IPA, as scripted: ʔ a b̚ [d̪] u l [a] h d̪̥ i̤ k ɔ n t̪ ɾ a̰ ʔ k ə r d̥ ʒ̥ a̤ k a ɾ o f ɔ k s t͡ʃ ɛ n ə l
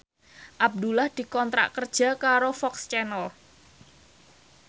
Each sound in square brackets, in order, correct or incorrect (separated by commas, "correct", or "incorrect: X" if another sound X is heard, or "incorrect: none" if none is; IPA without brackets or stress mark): correct, correct